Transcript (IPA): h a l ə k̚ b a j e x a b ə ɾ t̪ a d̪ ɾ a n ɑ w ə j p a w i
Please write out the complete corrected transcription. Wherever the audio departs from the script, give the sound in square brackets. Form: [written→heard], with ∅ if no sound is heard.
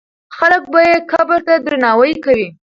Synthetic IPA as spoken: [h→x] a l ə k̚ b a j e [x→k] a b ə ɾ t̪ a d̪ ɾ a n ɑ w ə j [p→k] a w i